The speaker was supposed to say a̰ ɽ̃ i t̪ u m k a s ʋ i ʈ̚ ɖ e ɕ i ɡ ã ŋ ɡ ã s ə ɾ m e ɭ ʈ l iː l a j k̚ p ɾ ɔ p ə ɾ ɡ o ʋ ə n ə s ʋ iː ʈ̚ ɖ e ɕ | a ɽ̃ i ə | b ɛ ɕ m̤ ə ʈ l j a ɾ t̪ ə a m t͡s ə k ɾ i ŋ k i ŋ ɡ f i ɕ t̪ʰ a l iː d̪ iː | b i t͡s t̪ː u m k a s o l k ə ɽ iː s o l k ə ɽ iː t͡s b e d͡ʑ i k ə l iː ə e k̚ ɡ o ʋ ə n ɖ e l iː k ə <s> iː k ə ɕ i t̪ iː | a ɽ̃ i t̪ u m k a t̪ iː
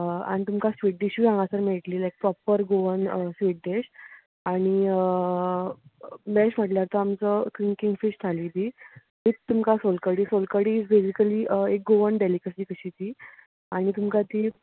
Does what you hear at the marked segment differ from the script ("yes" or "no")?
no